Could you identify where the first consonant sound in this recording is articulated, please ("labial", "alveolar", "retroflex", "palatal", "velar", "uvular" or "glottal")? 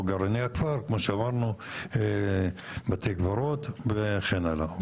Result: velar